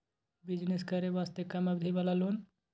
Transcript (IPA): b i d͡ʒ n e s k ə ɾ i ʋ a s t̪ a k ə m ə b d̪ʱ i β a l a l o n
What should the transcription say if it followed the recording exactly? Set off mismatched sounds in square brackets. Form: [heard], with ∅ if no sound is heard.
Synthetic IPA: b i d͡ʒ n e s k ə ɾ [e] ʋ a s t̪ [e] k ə m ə b d̪ʱ i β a l a l o n

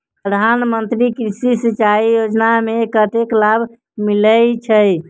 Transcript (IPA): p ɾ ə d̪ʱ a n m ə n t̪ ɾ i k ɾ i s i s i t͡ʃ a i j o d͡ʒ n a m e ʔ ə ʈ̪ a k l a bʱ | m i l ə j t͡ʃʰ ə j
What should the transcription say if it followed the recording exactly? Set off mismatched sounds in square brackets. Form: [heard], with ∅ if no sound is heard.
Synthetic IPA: p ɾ ə d̪ʱ a n m ə n t̪ ɾ i k ɾ i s i s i t͡ʃ a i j o d͡ʒ n a m e [k] ə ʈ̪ [e] k l a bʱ | m i l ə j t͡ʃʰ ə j

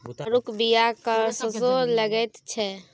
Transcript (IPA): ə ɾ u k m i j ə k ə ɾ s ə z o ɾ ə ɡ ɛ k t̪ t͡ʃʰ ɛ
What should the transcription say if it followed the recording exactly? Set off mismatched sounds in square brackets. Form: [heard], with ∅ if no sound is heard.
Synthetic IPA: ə ɾ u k [b] i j [a] k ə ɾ s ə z o [l] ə ɡ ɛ [∅] t̪ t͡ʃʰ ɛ

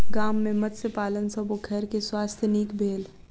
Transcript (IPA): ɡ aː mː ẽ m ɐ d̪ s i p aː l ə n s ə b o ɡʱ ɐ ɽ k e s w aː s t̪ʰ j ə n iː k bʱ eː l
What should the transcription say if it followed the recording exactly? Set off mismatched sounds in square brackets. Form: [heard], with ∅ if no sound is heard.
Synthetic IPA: ɡ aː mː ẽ m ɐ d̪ s [e] p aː l ə n s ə b o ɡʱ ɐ [ɾ] k e s w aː s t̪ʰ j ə n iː k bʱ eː l

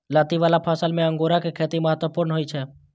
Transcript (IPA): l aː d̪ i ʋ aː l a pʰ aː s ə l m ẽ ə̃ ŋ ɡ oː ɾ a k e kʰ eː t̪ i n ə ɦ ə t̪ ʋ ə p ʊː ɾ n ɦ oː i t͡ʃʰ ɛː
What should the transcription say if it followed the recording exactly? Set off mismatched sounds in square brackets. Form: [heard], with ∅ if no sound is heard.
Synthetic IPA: l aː [t̪] i ʋ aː l a pʰ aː s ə l m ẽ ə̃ ŋ ɡ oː ɾ a k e kʰ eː t̪ i [m] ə ɦ ə t̪ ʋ ə p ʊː ɾ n ɦ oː i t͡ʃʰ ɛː

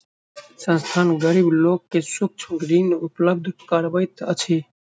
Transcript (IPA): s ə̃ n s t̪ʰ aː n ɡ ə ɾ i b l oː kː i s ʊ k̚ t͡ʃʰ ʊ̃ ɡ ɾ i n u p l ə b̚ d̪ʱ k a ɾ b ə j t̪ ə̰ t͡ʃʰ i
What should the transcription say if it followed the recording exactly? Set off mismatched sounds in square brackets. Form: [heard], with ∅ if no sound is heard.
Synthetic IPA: s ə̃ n s t̪ʰ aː n ɡ ə ɾ i b l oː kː [e] s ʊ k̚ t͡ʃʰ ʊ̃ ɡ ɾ i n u p l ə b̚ d̪ʱ k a ɾ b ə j t̪ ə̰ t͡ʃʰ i

